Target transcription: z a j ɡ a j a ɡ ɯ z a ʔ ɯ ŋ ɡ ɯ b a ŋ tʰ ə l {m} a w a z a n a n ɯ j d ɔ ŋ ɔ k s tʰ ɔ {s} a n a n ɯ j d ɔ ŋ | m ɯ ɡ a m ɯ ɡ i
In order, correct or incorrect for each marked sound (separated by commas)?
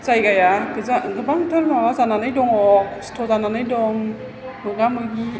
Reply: correct, incorrect